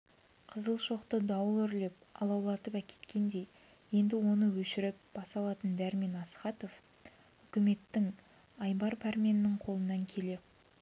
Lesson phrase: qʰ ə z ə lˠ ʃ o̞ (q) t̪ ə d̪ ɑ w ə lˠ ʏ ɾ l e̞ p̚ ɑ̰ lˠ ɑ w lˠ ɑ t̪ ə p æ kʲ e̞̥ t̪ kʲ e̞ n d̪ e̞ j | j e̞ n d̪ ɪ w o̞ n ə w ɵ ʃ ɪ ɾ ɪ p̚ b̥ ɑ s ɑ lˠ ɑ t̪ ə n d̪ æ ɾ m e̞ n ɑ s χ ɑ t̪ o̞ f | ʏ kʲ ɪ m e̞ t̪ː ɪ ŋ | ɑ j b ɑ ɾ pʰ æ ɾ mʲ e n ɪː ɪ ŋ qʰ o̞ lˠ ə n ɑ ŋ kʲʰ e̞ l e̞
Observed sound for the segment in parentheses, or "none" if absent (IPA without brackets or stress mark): q